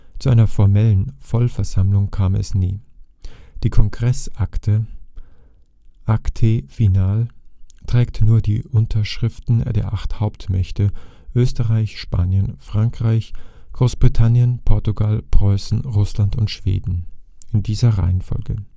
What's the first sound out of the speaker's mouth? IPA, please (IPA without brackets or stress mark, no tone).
t͡s